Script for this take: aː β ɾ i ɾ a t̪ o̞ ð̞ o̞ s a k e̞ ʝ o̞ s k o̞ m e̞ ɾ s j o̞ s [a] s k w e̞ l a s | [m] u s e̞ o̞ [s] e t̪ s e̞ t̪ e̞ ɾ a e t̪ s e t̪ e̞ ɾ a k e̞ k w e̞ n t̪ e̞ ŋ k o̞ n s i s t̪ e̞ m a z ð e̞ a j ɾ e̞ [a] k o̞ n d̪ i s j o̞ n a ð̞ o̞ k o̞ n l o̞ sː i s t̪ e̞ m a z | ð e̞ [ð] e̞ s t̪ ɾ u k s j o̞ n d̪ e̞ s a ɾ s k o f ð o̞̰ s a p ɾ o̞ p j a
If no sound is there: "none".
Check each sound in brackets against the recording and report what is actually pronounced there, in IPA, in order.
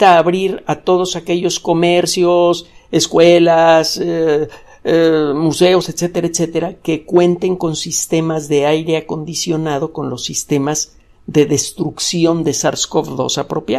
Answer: e, m, s, a, ð

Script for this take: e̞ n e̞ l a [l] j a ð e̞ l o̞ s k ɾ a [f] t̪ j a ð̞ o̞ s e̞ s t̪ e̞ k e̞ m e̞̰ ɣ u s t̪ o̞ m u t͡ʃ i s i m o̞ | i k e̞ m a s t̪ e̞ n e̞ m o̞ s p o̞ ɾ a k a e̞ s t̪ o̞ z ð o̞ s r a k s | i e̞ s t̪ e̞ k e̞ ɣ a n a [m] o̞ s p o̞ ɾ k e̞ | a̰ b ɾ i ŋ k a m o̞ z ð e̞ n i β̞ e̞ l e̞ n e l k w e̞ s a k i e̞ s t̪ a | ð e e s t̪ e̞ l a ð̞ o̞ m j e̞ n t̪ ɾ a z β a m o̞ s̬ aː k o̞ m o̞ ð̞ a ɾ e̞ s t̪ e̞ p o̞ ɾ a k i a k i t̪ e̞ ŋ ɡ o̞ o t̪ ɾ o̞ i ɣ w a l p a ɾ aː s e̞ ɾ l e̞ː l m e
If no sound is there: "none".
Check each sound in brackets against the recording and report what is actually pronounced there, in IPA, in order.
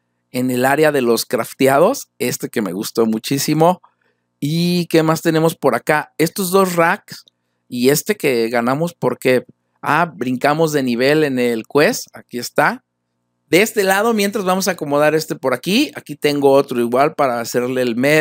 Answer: ɾ, f, m

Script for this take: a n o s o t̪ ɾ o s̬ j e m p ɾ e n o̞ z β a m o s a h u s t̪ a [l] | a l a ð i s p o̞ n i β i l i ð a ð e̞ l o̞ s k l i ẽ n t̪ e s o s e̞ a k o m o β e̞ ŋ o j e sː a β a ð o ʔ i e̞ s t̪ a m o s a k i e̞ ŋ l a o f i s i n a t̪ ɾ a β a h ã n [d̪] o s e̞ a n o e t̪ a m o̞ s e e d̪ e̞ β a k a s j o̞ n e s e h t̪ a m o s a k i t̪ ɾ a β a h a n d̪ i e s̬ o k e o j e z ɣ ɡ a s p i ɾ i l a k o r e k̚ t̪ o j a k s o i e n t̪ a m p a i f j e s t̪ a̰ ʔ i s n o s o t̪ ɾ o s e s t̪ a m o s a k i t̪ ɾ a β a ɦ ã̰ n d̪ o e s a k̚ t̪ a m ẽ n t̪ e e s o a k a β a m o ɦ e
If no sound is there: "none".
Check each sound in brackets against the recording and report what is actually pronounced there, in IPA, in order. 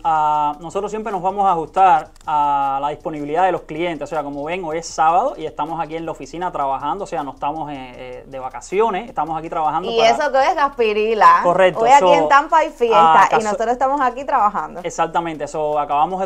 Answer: ɾ, d̪

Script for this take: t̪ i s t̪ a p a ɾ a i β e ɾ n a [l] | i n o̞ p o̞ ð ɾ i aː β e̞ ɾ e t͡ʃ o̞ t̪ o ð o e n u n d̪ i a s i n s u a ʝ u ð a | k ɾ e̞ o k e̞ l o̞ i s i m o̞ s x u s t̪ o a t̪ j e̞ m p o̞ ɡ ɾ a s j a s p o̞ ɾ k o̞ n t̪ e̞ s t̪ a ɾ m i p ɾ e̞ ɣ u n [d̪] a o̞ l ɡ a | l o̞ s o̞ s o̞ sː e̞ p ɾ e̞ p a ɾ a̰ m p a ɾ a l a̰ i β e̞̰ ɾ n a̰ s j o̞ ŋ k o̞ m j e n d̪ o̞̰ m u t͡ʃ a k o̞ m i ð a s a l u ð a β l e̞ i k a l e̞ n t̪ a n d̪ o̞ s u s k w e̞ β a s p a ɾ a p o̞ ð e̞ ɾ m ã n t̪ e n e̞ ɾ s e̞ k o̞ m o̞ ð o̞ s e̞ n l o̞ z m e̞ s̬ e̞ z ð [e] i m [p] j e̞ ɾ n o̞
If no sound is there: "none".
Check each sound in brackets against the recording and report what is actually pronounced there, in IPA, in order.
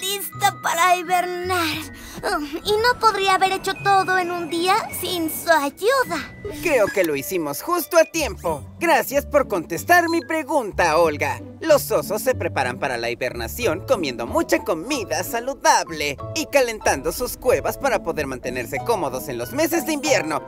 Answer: ɾ, t̪, e, b

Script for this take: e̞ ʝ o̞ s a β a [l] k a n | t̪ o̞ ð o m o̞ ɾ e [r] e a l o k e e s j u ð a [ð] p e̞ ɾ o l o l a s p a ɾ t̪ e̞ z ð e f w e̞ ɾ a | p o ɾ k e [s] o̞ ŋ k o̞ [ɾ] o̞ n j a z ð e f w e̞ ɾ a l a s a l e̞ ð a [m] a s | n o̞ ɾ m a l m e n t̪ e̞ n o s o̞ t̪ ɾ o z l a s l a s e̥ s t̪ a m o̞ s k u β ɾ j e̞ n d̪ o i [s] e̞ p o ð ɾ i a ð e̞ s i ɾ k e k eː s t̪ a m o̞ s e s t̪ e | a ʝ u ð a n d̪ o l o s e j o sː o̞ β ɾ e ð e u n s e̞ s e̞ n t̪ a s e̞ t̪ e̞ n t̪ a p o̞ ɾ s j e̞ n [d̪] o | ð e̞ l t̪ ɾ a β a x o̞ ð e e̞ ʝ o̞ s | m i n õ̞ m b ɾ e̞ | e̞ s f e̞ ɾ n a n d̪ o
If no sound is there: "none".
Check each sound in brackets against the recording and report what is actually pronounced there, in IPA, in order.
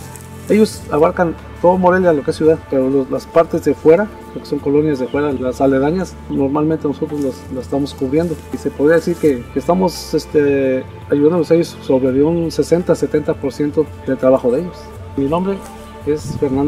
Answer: ɾ, l, ð, s, l, ɲ, s, t̪

